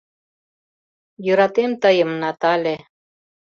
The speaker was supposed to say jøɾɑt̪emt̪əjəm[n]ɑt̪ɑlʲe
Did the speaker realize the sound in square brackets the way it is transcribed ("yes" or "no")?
yes